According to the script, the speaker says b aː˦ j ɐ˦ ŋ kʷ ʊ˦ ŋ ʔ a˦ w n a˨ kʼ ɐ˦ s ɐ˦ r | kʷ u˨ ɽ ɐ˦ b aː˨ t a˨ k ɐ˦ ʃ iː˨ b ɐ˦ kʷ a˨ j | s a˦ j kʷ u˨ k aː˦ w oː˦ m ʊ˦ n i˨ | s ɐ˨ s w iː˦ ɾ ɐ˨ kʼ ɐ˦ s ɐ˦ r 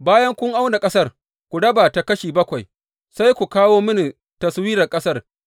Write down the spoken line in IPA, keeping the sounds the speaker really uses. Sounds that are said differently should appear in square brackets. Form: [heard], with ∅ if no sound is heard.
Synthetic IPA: b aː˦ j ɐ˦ ŋ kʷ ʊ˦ ŋ ʔ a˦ w n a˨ kʼ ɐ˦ s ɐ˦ r | kʷ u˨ ɽ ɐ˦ b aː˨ t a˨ k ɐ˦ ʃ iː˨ b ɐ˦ kʷ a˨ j | s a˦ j kʷ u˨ k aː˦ w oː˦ m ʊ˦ n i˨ | [t] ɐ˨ s w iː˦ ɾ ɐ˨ kʼ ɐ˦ s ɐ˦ r